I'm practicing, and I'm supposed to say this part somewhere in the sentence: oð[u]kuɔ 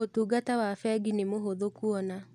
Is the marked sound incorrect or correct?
incorrect: o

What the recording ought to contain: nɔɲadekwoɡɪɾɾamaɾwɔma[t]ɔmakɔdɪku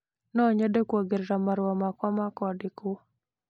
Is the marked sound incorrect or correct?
incorrect: k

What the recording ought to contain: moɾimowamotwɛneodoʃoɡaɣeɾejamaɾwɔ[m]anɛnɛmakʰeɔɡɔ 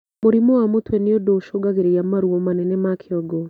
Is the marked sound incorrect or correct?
correct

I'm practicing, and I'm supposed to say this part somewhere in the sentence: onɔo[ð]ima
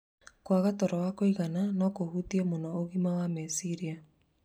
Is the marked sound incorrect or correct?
incorrect: ɣ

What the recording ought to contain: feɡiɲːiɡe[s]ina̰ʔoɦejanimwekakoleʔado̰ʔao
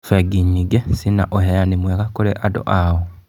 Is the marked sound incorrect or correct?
correct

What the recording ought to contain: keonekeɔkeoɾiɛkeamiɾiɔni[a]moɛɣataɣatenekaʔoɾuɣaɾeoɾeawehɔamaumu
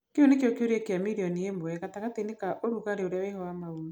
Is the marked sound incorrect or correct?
incorrect: e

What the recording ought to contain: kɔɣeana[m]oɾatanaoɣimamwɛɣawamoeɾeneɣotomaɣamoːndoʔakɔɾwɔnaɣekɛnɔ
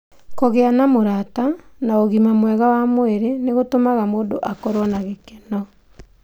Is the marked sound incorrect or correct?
correct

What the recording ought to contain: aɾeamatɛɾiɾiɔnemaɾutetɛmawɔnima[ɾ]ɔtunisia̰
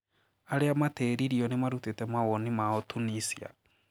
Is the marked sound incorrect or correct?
incorrect: none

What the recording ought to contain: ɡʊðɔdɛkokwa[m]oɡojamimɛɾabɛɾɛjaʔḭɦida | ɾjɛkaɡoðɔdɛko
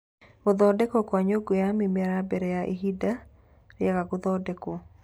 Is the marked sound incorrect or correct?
incorrect: ɲ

